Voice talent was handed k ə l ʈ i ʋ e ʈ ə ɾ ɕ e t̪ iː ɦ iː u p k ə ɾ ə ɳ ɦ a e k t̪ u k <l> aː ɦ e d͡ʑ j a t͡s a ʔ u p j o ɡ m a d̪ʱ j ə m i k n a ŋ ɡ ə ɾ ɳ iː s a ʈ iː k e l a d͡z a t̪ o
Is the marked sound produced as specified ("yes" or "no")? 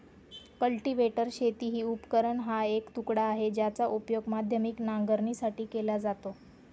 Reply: no